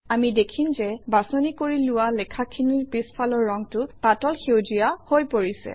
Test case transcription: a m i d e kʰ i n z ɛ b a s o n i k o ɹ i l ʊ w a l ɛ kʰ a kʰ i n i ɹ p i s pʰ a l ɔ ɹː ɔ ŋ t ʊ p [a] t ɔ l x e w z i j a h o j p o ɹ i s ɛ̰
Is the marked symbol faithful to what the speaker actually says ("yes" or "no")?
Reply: yes